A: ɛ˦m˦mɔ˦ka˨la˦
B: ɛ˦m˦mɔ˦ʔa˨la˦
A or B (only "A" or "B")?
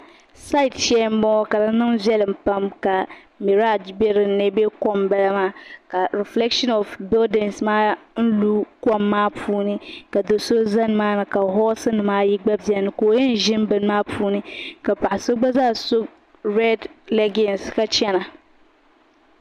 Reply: A